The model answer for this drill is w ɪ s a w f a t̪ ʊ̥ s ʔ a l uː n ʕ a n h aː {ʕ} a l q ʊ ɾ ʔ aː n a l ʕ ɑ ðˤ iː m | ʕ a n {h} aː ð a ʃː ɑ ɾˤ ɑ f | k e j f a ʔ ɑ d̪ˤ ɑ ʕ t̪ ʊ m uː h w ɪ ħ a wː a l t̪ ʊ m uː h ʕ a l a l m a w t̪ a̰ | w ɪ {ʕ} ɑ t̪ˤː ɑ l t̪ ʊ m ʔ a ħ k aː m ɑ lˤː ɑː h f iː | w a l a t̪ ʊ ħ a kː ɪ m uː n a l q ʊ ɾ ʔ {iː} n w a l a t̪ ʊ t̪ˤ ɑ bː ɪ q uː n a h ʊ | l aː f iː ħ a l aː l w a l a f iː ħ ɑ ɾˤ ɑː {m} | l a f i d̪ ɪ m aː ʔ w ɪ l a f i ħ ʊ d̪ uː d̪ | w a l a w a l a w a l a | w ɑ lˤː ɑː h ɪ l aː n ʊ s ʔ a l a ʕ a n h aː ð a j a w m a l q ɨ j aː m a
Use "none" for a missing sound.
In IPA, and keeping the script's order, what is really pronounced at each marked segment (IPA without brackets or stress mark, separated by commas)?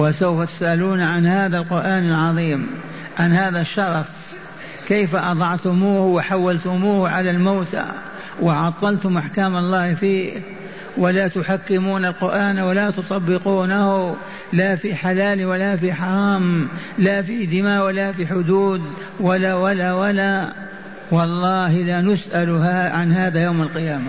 ð, h, ʕ, aː, m